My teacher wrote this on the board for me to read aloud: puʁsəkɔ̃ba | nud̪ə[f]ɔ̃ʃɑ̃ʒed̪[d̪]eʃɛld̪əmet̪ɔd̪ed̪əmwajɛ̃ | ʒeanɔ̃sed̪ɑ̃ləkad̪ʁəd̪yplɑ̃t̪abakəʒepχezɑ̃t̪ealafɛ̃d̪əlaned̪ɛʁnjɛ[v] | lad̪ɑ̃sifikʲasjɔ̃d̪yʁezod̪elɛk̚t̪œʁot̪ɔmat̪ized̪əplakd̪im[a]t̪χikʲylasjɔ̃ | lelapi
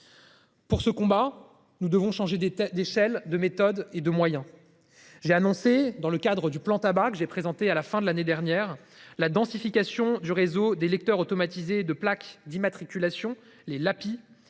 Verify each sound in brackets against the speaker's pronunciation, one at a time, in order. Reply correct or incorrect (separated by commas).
incorrect, correct, incorrect, correct